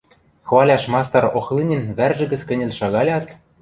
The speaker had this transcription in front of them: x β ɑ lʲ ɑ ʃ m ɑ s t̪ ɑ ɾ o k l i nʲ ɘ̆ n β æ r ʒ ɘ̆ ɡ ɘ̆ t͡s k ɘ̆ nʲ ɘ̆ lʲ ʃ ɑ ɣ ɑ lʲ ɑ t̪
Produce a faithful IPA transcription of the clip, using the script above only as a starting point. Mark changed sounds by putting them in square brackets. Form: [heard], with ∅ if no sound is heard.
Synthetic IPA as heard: x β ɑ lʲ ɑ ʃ m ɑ s t̪ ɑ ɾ o [x] l i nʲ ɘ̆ n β æ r ʒ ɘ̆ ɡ ɘ̆ t͡s k ɘ̆ nʲ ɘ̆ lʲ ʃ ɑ ɣ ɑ lʲ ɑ t̪